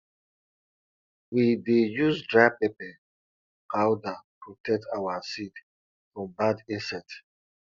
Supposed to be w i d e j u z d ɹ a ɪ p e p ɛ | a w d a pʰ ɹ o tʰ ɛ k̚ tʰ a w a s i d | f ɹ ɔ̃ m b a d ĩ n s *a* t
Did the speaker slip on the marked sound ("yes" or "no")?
yes